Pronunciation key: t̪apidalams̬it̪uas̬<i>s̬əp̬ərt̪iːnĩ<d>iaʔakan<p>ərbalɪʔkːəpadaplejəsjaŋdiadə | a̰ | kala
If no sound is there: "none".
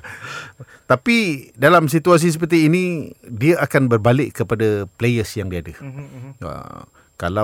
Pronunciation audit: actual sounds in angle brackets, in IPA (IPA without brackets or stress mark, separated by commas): i, d, b